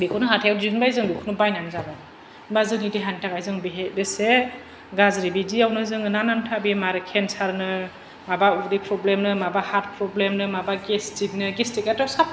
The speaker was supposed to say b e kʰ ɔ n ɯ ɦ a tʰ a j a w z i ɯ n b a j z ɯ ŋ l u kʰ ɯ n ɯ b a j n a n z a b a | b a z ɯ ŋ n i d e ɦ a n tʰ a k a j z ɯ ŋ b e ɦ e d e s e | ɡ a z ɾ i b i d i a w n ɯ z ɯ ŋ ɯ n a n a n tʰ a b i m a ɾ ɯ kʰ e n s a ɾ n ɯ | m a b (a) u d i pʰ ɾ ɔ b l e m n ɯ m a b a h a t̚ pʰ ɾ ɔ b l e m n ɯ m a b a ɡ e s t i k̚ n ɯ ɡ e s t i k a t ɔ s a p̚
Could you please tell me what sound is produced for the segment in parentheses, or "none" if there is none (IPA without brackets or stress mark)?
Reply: a